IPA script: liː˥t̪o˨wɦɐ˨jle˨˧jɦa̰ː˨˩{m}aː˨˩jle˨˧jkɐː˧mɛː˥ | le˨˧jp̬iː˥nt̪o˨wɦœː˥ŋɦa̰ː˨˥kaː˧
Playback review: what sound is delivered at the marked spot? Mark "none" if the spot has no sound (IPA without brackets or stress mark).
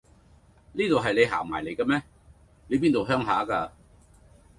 m